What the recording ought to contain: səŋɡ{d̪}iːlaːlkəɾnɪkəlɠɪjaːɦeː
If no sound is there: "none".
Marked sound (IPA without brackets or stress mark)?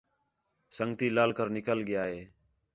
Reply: t̪